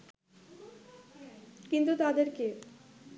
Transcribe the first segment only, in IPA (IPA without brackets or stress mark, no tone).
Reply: k